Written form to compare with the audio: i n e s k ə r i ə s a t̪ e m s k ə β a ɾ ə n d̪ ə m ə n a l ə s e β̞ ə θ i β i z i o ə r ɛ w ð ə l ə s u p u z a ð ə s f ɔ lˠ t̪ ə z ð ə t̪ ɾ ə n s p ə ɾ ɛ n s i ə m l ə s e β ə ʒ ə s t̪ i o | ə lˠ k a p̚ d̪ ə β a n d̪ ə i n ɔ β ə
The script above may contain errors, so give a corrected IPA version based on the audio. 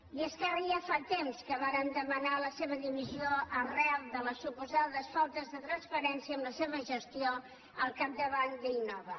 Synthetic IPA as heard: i e s k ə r i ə f a t̪ e m s k ə β a ɾ ə n d̪ ə m ə n a l ə s e β̞ ə ð i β i z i o ə r ɛ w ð ə l ə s u p u z a ð ə s f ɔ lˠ t̪ ə z ð ə t̪ ɾ ə n s p ə ɾ ɛ n s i ə m l ə s e β ə ʒ ə s t̪ i o | ə lˠ k a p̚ d̪ ə β a n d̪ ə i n ɔ β ə